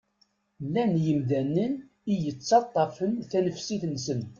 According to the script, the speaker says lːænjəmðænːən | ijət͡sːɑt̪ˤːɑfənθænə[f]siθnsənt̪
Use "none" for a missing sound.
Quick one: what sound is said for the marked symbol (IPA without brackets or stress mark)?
f